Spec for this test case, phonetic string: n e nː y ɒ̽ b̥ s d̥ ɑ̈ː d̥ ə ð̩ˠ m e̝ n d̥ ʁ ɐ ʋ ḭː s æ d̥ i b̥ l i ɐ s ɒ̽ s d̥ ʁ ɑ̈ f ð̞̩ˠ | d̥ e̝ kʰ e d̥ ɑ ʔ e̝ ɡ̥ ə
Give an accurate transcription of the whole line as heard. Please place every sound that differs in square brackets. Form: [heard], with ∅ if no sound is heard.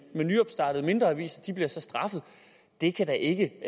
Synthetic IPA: [m] e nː y ɒ̽ b̥ s d̥ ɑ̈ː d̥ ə ð̩ˠ m e̝ n d̥ ʁ ɐ ʋ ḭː s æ d̥ i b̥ l i ɐ s ɒ̽ s d̥ ʁ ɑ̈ f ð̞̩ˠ | d̥ e̝ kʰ [æ] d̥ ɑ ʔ e̝ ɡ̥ ə